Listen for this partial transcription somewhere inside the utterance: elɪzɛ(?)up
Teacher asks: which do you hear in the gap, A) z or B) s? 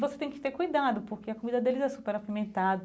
B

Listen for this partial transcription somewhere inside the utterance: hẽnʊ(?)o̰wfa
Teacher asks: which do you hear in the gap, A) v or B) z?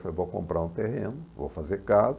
A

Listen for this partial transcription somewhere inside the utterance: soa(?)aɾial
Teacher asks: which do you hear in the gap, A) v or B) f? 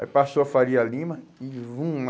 B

